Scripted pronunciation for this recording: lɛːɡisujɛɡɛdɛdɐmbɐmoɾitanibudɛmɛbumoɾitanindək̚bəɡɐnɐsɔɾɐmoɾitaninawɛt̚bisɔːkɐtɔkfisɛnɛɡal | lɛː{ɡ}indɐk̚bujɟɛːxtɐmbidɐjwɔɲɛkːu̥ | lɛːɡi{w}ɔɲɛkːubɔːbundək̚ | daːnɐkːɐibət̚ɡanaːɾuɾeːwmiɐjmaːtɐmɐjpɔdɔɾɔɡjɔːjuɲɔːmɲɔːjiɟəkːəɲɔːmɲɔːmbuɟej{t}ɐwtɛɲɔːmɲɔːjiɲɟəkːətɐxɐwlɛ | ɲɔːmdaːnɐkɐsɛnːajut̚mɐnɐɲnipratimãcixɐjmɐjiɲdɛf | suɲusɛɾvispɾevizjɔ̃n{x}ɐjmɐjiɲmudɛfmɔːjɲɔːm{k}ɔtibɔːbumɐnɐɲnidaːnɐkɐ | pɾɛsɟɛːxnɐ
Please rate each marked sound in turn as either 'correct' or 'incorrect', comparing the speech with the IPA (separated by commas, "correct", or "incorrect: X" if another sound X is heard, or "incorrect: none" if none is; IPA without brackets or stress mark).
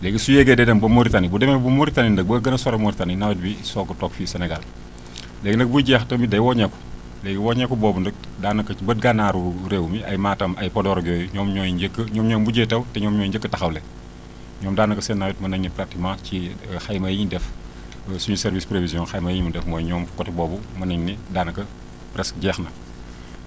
correct, correct, correct, correct, correct